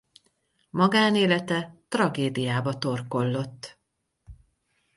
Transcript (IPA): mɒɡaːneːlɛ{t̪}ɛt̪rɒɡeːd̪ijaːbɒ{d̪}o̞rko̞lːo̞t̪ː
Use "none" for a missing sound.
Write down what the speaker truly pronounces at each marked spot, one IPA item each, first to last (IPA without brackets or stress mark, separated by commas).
t̪, t̪